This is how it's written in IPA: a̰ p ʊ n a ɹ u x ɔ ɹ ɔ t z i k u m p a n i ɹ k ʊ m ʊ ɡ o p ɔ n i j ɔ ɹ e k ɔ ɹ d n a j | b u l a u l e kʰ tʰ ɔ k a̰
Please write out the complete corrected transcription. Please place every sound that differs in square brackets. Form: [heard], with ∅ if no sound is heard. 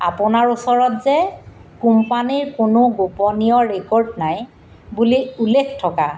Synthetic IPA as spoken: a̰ p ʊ n a ɹ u [s] ɔ ɹ ɔ t z [ɛ] k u m p a n i ɹ k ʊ [n] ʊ ɡ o p ɔ n i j ɔ ɹ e k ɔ ɹ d n a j | b u l [i] u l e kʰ tʰ ɔ k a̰